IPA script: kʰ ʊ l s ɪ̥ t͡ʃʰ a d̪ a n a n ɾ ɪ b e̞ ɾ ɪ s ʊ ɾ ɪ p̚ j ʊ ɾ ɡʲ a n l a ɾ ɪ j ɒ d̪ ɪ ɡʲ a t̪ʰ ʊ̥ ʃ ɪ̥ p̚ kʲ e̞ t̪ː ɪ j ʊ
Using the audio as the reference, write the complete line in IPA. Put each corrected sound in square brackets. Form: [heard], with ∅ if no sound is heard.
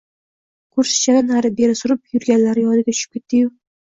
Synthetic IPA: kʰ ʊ [ɾ] s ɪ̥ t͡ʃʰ a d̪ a n a [∅] ɾ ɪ b e̞ ɾ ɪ s ʊ ɾ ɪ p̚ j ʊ ɾ ɡʲ a n l a ɾ ɪ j ɒ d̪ ɪ ɡʲ a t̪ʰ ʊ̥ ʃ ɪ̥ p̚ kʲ e̞ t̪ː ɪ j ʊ